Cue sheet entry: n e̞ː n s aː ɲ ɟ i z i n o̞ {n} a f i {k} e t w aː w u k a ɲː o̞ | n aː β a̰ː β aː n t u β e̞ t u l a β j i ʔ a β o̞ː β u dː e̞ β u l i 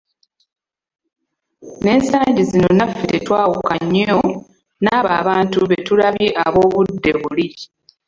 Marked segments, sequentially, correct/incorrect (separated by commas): correct, incorrect